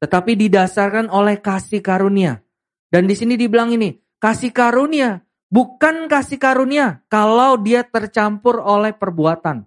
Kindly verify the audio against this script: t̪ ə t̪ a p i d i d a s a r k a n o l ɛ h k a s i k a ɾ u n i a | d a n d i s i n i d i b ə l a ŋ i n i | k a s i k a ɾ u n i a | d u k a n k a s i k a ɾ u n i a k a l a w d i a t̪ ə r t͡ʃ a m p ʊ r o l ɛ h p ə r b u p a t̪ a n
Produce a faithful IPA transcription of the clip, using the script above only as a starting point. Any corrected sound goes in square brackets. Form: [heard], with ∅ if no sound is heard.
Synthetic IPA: t̪ ə t̪ a p i d i d a s a r k a n o l ɛ h k a s i k a ɾ u n i a | d a n d i s i n i d i b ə l a ŋ i n i | k a s i k a ɾ u n i a | [b] u k a n k a s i k a ɾ u n i a k a l a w d i a t̪ ə r t͡ʃ a m p ʊ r o l ɛ h p ə r b u [∅] a t̪ a n